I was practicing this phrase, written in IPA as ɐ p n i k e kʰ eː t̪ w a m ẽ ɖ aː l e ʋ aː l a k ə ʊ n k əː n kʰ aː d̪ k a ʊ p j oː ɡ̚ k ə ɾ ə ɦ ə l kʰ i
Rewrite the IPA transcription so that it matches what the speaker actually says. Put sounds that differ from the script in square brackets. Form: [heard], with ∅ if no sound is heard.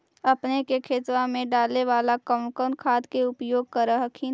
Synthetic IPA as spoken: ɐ p n [e] k e kʰ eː t̪ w a m ẽ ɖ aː l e ʋ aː l a k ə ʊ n k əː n kʰ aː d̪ k [e] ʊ p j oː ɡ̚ k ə ɾ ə ɦ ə [∅] kʰ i